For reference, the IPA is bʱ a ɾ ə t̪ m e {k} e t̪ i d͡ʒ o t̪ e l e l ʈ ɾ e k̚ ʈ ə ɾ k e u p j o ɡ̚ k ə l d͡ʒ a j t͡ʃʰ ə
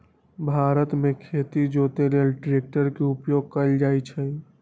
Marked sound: incorrect: kʰ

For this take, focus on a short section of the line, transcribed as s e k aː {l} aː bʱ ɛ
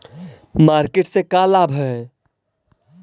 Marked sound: correct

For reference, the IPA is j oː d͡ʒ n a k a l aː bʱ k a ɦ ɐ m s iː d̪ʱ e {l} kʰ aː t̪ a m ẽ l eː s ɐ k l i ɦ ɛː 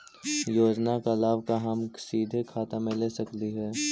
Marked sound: incorrect: none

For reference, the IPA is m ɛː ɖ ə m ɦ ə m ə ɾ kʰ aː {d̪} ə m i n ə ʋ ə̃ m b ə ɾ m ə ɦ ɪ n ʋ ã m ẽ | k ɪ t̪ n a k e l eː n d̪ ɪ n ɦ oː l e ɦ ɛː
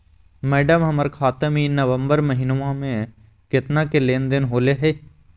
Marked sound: incorrect: t̪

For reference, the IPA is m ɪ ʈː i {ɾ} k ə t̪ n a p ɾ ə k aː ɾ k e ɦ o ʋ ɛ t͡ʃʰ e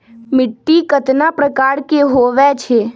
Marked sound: incorrect: none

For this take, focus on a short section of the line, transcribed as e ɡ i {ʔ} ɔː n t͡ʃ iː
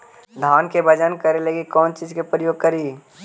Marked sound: incorrect: k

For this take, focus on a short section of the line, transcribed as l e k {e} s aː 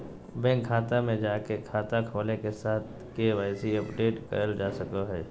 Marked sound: correct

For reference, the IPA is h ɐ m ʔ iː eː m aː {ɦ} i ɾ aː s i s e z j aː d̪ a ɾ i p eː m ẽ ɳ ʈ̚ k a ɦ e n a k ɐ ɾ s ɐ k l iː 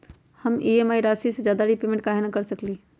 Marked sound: incorrect: none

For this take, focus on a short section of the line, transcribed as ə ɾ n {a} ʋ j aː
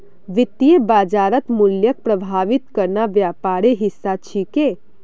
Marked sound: correct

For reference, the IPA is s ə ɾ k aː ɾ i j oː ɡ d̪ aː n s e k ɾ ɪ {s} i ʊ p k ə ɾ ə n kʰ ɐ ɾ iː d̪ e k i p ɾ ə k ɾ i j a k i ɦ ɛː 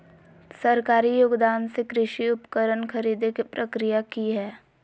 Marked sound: incorrect: ʃ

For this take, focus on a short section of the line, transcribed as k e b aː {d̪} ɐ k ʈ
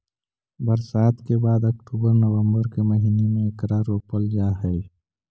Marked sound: correct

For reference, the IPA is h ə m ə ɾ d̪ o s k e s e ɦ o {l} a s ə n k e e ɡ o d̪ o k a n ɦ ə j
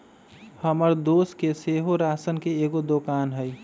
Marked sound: incorrect: ɾ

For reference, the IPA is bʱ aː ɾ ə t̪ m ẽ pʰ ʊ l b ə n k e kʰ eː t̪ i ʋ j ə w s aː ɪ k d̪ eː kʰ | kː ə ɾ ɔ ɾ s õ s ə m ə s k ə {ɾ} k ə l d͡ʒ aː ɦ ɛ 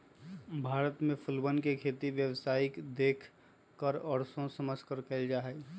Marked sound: correct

